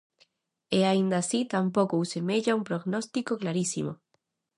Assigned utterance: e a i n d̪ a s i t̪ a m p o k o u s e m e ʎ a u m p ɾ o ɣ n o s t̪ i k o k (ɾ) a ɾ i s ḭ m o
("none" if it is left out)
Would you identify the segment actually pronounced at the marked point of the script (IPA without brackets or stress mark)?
l